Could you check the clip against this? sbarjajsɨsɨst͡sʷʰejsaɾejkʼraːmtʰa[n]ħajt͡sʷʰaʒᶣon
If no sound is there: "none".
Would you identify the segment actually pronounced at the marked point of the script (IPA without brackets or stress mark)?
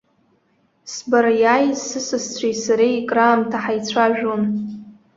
none